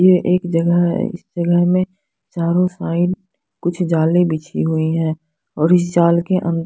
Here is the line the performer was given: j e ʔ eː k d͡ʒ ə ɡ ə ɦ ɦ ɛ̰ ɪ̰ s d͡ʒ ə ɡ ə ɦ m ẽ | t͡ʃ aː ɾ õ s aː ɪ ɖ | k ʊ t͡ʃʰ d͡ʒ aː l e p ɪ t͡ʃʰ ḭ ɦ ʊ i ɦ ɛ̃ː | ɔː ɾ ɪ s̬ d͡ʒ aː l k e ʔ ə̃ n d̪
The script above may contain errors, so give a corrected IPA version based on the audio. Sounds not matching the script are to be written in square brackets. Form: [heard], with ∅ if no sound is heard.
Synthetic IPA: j e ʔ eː k d͡ʒ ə ɡ ə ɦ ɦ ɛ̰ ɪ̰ s d͡ʒ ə ɡ ə ɦ m ẽ | t͡ʃ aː ɾ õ s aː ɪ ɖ | k ʊ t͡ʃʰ d͡ʒ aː l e [b] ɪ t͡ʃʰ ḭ ɦ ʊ i ɦ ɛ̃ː | ɔː ɾ ɪ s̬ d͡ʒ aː l k e ʔ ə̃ n d̪